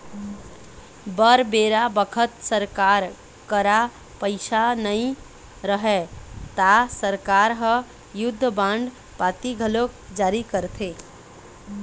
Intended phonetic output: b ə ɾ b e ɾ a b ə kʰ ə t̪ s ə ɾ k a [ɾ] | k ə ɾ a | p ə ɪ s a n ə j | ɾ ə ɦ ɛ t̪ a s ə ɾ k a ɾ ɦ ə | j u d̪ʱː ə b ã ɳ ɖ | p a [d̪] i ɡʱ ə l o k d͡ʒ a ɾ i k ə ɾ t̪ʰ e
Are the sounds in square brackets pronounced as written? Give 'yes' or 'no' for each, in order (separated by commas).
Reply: yes, no